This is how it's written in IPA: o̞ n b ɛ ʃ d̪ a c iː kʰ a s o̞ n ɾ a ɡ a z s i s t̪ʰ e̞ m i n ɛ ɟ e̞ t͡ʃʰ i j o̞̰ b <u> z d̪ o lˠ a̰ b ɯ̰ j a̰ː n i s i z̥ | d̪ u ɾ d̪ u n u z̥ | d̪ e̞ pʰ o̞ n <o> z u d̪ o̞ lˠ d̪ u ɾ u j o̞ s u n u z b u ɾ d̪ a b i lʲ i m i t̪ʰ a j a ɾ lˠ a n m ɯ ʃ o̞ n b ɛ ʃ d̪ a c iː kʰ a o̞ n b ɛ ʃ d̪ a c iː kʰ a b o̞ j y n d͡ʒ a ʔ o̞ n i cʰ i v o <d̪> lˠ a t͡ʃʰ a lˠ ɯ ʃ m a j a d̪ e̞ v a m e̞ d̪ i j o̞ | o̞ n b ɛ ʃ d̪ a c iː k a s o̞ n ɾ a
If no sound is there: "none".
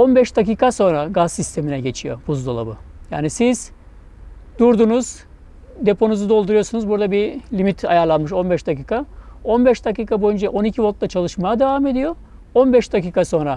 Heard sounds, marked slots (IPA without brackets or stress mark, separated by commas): u, u, t̪